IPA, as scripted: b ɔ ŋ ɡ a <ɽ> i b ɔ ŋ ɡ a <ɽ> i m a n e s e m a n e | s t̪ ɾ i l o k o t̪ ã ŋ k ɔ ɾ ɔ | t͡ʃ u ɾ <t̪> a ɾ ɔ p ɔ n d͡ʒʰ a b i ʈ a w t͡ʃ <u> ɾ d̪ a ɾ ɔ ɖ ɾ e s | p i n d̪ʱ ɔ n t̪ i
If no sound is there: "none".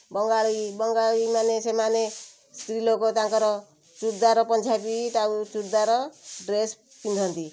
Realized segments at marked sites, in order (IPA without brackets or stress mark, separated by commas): ɭ, ɭ, d̪, u